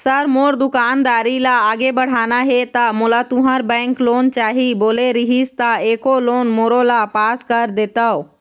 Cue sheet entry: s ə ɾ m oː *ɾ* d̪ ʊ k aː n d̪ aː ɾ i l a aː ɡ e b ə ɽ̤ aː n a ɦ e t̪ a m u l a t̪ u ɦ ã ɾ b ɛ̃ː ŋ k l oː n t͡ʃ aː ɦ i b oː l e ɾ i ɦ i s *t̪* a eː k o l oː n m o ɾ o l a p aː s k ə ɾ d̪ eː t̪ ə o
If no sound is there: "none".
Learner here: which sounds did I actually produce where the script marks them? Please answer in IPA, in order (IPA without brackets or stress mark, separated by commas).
ɾ, t̪